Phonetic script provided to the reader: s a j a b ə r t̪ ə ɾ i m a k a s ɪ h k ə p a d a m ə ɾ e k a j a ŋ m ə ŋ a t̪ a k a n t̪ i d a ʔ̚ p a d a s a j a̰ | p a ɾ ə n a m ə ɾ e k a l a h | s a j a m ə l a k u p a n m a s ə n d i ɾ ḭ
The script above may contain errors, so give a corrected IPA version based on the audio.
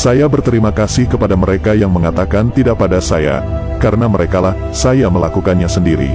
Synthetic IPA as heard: s a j a b ə r t̪ ə ɾ i m a k a s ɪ h k ə p a d a m ə ɾ e k a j a ŋ m ə ŋ a t̪ a k a n t̪ i d a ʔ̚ p a d a s a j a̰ | k a ɾ ə n a m ə ɾ e k a l a h | s a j a m ə l a k u k a n ɲ a s ə n d i ɾ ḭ